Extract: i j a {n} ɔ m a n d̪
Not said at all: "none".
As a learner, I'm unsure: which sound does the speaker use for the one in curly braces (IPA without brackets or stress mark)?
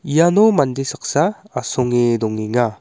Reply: n